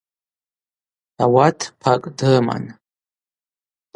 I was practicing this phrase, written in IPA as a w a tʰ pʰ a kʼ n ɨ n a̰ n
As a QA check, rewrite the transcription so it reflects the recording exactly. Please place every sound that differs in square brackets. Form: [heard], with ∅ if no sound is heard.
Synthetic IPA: a w a tʰ pʰ a kʼ [d] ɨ [m] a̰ n

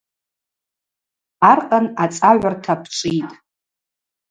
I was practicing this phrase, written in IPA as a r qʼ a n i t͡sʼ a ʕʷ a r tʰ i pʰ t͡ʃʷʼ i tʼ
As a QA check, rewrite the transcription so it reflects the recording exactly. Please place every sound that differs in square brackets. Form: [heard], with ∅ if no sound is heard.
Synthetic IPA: a r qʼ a n [a] t͡sʼ a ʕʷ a r tʰ [a] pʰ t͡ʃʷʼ i tʼ

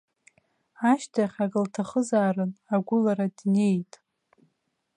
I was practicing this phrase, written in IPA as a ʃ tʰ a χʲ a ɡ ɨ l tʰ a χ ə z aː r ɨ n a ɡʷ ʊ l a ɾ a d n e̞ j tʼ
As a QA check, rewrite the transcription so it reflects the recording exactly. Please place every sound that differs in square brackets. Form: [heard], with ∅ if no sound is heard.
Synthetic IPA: a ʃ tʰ a χʲ a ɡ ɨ l tʰ a χ ə z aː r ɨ n a ɡʷ ʊ l a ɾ a d n e̞ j tʼ

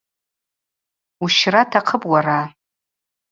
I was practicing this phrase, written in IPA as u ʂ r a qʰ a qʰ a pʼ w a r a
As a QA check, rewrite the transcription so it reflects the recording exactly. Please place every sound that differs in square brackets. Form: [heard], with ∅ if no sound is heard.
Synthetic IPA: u [ʃ] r a [tʰ] a qʰ [ə] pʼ w a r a

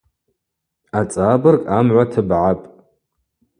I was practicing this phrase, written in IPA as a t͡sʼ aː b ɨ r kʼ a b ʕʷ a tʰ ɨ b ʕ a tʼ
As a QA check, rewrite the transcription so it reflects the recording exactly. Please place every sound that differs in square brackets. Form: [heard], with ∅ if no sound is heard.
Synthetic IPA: a t͡sʼ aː b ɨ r kʼ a [m] ʕʷ a tʰ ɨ b ʕ a [pʼ]

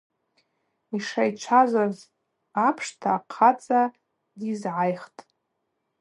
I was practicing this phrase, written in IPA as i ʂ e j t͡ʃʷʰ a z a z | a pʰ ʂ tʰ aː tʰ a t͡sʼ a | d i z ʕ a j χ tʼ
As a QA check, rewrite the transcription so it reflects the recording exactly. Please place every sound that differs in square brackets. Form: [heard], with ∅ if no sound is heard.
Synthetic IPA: i ʂ [a] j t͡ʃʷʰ a z a z | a pʰ ʂ tʰ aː [qʰ] a t͡sʼ a | d i z ʕ a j χ tʼ

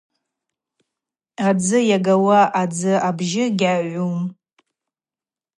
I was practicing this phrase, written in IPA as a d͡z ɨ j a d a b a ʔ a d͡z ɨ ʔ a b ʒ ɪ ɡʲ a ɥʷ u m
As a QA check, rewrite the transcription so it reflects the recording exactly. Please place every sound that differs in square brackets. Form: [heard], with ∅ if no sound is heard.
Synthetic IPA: a d͡z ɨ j a [ɡ] a [w] a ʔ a d͡z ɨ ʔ a b ʒ ɪ ɡʲ a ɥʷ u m

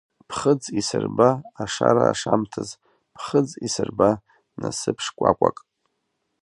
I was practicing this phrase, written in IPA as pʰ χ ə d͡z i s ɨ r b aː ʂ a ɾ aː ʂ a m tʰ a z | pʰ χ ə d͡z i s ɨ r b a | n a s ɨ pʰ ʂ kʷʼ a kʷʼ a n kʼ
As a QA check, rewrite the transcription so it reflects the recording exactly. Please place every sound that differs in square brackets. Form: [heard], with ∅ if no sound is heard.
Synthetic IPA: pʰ χ ə d͡z i s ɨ r b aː ʂ a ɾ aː ʂ a m tʰ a z | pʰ χ ə d͡z i s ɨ r b a | n a s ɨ pʰ ʂ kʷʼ a kʷʼ a [∅] kʼ

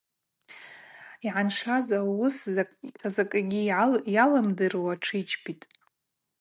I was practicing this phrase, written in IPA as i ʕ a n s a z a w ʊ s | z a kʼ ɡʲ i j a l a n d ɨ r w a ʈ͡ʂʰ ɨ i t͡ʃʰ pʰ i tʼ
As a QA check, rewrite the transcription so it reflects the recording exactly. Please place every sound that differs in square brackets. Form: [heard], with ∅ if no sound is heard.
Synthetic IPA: i ʕ a n [ʂ] a z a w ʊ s | z a kʼ ɡʲ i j a l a [m] d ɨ r w a ʈ͡ʂʰ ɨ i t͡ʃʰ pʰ i tʼ

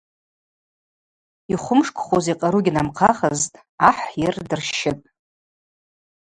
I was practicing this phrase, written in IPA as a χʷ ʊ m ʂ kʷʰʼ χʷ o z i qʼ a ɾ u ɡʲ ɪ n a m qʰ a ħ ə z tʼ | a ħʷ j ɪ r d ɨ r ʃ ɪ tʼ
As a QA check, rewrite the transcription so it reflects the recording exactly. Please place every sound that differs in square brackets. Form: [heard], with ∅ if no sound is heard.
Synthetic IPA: [i] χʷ ʊ m ʂ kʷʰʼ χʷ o z i qʼ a ɾ u ɡʲ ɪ n a m qʰ a [χ] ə z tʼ | a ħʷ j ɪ r d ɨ r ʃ ɪ tʼ

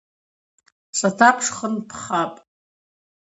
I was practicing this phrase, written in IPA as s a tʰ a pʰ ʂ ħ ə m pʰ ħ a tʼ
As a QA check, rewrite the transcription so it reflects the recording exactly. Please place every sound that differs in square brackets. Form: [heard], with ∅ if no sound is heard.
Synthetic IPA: s a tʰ a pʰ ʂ [χ] ə [n] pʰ [χ] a [pʼ]

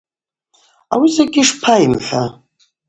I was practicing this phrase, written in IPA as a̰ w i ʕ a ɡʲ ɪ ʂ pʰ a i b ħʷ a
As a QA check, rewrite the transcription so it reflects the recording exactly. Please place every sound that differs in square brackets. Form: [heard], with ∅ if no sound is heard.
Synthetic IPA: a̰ w i [z] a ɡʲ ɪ ʂ pʰ a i [m] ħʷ a

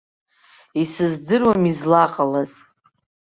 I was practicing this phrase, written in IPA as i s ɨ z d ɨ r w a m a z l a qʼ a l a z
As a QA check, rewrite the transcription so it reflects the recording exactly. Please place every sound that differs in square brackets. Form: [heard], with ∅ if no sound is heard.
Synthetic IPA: i s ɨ z d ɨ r w a m [i] z l a qʼ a l a z

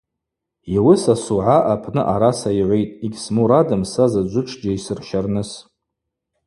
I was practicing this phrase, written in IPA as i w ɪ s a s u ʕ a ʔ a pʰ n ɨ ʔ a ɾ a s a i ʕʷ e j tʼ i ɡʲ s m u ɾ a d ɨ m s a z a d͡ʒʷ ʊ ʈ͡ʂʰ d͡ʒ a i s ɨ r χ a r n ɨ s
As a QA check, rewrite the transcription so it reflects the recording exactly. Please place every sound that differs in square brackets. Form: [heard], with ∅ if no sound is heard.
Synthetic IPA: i w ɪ s a s u ʕ a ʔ a pʰ n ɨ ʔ a ɾ a s a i ʕʷ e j tʼ i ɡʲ s m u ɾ a d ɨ m s a z a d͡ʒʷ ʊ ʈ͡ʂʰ d͡ʒ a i s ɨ r [ʃ] a r n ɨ s

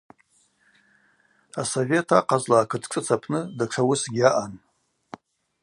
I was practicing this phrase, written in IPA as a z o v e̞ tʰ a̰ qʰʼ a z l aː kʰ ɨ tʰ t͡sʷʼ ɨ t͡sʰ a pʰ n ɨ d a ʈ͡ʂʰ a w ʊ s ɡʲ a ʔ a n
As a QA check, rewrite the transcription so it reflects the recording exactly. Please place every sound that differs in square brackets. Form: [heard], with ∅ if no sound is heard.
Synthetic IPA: a [s] o v e̞ tʰ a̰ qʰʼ a z l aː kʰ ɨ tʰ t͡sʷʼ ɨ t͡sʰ a pʰ n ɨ d a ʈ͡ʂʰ a w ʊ s ɡʲ a ʔ a n

